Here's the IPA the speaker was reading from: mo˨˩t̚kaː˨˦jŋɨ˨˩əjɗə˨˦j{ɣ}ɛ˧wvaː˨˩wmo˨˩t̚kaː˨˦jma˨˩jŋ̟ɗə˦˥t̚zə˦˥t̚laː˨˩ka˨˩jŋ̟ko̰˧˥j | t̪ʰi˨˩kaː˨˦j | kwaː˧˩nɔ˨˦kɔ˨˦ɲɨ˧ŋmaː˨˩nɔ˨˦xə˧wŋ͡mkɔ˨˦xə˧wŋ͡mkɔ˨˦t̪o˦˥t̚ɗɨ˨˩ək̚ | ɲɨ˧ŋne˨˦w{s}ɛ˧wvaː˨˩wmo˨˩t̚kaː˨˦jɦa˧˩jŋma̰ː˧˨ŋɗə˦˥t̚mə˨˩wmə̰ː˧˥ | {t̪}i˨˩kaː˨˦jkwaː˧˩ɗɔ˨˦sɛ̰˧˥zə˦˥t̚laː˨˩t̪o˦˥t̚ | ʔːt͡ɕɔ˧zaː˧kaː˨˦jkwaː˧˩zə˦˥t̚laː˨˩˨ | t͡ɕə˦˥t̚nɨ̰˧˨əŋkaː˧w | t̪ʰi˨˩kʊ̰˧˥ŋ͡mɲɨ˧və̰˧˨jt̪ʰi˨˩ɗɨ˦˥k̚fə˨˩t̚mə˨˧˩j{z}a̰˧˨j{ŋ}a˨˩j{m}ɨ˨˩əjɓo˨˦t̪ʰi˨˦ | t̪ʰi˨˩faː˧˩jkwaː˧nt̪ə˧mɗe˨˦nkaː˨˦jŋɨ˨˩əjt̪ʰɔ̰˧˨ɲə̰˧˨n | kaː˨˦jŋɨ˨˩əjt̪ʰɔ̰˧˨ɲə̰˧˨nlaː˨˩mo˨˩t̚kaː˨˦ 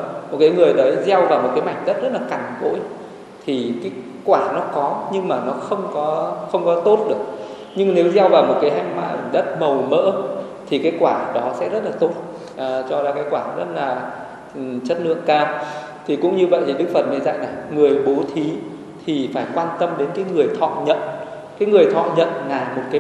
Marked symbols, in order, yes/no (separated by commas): no, no, no, yes, no, no